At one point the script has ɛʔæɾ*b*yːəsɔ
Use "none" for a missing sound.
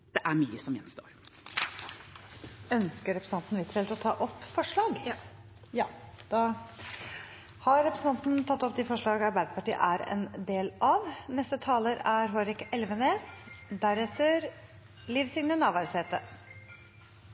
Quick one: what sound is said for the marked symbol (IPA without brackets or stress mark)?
m